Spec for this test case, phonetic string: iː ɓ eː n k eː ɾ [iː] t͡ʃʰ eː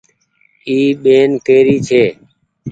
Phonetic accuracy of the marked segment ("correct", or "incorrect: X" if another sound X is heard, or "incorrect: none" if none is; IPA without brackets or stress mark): correct